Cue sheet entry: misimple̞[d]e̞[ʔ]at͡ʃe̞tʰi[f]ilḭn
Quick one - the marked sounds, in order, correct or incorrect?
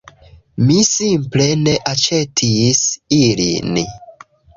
incorrect, correct, incorrect

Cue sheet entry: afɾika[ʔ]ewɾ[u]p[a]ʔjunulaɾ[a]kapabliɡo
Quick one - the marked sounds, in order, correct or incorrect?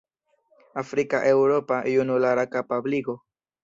correct, incorrect, correct, correct

